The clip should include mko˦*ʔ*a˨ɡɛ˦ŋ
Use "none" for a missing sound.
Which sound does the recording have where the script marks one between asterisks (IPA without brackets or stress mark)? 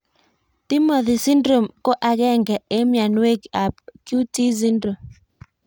ʔ